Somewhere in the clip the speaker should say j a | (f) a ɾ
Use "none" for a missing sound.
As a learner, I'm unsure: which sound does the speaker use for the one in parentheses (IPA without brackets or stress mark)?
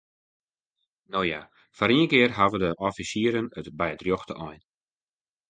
f